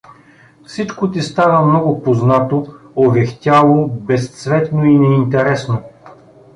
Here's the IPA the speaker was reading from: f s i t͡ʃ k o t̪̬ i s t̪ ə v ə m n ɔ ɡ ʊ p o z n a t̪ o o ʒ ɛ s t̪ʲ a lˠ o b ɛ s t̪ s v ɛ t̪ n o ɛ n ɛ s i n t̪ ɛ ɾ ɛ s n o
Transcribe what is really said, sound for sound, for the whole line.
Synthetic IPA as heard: f s i t͡ʃ k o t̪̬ i s t̪ a v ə m n ɔ ɡ ʊ p o z n a t̪ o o v ɛ x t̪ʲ a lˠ o b ɛ s t̪ s v ɛ t̪ n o i n ɛ i n t̪ ɛ ɾ ɛ s n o